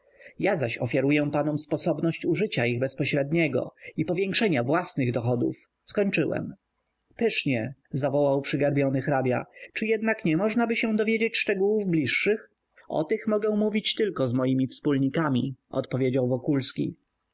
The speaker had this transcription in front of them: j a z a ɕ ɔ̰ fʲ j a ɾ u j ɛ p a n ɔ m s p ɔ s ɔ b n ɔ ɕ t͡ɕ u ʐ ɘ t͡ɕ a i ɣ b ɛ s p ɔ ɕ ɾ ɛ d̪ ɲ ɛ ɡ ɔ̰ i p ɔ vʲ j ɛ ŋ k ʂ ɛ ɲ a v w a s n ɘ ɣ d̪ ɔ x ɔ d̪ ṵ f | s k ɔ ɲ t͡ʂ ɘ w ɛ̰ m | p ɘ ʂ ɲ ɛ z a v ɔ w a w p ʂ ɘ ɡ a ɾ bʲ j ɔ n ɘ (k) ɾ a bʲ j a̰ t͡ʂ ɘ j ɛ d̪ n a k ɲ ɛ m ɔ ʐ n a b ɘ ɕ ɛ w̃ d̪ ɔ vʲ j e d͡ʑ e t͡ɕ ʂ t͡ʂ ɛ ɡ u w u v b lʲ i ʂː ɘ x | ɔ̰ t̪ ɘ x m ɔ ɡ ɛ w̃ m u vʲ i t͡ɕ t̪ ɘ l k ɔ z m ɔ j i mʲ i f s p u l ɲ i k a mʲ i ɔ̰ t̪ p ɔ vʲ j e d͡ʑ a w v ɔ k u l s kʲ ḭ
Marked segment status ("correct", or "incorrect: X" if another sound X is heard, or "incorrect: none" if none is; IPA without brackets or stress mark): incorrect: x